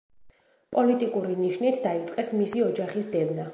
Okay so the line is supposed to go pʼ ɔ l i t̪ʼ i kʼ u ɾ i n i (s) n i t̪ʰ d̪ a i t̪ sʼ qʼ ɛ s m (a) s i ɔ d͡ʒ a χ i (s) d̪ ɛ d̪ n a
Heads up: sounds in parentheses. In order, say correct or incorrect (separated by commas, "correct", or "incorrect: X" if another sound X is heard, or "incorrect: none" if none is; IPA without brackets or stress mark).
incorrect: ʃ, incorrect: i, correct